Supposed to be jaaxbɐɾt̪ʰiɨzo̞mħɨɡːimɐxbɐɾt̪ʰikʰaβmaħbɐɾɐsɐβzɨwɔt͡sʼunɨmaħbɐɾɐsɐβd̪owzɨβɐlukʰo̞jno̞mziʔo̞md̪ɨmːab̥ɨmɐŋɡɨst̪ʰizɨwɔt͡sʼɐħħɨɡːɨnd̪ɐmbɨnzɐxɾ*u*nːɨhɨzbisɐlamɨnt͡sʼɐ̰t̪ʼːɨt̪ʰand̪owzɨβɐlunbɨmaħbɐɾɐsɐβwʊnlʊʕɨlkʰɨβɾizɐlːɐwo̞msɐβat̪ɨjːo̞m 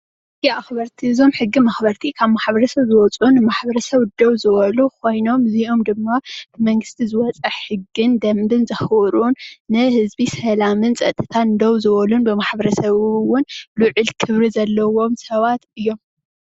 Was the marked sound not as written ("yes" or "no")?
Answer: no